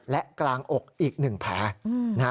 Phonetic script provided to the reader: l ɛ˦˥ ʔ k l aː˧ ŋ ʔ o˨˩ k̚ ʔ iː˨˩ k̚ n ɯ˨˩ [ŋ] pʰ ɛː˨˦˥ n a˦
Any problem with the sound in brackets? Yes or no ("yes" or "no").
no